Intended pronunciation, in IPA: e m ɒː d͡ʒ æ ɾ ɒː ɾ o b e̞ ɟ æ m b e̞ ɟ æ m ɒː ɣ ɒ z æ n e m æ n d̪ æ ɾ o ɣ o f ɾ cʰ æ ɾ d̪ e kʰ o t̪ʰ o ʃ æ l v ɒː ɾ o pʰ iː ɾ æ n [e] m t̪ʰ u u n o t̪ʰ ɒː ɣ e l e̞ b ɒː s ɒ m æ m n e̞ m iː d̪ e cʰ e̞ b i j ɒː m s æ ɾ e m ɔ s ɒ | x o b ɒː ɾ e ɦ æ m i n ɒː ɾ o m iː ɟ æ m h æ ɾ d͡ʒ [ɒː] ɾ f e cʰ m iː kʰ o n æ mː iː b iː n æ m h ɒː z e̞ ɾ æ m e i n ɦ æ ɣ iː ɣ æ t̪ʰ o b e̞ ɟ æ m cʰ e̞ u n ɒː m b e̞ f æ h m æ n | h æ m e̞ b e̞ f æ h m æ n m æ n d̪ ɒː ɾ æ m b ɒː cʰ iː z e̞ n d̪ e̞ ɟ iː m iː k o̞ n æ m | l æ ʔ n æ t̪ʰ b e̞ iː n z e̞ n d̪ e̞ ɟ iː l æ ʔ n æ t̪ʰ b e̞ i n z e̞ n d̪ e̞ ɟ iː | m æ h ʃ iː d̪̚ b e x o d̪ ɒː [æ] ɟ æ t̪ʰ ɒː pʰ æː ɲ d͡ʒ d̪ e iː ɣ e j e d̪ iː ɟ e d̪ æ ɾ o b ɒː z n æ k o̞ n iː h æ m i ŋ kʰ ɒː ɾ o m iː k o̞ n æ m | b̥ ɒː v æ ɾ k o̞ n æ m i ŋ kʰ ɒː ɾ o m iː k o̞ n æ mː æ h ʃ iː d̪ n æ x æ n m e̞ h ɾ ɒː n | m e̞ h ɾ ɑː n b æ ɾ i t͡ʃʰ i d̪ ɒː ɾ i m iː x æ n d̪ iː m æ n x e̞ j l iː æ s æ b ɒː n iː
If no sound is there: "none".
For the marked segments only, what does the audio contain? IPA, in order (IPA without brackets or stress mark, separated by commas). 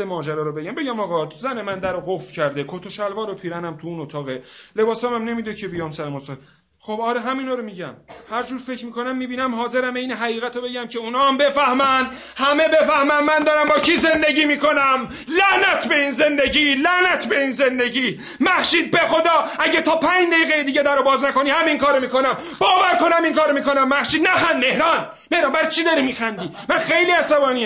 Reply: æ, uː, æ